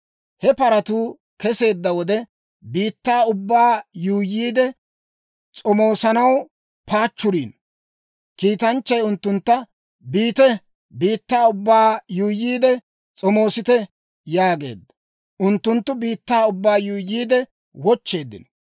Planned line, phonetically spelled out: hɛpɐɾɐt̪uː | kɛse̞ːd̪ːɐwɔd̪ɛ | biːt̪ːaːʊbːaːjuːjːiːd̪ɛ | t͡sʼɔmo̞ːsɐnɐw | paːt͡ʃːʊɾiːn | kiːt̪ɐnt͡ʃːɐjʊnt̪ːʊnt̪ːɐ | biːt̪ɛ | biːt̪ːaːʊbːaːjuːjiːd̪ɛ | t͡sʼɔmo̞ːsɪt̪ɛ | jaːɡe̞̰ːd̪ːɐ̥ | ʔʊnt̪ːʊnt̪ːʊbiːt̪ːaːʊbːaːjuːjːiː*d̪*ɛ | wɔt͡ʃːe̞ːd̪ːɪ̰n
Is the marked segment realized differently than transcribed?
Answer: no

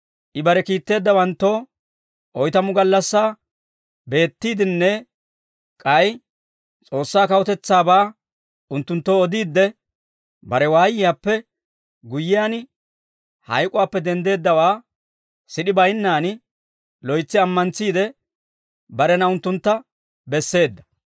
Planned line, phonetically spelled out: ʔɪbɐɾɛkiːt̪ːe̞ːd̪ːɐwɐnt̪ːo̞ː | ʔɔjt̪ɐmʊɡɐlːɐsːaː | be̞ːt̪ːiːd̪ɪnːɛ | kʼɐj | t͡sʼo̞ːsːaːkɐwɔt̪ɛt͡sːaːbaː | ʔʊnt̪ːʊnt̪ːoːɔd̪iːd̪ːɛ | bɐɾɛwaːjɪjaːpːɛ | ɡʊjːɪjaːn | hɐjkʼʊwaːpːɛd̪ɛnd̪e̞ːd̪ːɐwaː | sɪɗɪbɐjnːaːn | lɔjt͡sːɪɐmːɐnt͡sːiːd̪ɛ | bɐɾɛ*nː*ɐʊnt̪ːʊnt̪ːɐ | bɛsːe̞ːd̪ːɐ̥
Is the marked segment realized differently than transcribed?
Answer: yes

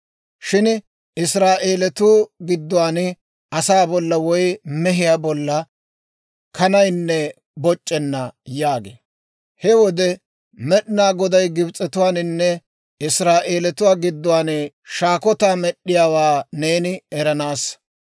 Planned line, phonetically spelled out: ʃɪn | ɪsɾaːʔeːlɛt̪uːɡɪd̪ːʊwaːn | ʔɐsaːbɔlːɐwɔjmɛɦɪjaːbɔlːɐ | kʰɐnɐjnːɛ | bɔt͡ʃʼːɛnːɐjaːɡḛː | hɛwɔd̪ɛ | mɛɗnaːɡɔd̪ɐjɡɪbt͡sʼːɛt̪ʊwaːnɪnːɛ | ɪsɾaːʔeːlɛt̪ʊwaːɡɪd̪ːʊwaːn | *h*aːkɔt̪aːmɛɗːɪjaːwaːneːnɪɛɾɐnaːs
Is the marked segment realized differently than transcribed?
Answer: yes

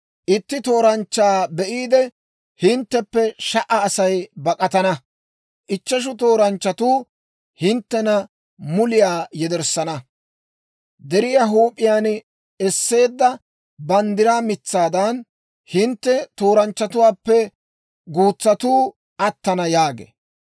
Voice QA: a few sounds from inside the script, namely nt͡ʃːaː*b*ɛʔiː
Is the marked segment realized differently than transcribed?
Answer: no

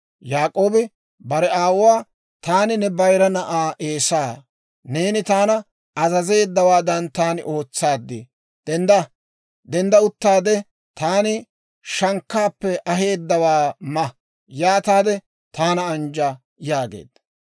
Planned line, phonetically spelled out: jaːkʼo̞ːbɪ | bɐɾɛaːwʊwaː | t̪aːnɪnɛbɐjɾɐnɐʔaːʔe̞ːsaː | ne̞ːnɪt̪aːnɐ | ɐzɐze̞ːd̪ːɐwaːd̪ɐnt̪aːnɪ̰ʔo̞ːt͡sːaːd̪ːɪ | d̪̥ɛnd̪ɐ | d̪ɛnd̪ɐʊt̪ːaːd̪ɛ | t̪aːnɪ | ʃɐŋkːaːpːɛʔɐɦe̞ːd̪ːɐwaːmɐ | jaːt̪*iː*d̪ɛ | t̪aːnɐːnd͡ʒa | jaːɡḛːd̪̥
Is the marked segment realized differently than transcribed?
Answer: yes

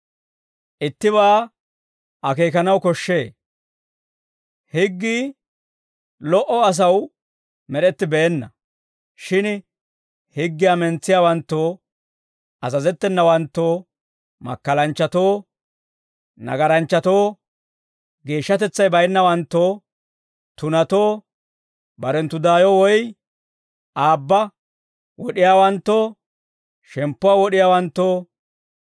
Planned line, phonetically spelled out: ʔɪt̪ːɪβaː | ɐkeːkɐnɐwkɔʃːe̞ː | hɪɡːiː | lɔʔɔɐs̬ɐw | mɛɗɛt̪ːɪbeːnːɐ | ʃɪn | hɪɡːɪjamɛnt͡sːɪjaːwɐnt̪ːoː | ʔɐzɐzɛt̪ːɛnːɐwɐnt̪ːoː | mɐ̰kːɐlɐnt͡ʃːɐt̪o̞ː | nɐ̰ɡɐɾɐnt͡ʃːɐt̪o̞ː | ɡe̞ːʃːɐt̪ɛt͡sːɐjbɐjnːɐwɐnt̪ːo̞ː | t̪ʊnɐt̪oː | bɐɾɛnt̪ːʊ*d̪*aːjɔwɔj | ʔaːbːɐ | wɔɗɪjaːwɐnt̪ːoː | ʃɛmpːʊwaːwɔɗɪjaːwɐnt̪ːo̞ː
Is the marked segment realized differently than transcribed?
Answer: no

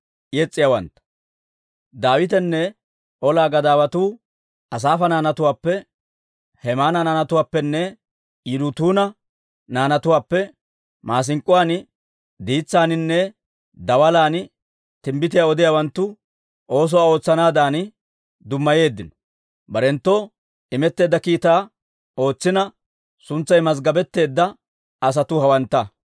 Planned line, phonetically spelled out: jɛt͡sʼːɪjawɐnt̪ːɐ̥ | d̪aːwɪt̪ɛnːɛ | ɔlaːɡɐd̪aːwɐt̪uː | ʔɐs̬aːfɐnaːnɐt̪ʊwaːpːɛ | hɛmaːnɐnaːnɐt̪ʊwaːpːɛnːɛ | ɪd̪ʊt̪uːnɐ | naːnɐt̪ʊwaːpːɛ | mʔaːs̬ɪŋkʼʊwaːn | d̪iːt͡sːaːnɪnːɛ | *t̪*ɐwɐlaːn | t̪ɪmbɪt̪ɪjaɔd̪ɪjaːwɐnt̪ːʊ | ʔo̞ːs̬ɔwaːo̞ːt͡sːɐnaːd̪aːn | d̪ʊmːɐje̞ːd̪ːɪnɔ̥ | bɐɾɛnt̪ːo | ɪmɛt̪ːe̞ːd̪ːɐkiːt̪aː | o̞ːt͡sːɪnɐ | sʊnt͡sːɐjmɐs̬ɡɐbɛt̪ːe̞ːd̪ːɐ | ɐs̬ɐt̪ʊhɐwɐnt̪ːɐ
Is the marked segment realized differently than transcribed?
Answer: yes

